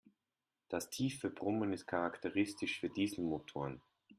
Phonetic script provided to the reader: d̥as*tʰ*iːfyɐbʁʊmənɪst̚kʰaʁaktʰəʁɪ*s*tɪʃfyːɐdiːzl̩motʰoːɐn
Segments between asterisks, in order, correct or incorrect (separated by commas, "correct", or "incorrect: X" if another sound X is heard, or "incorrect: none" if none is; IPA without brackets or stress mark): correct, correct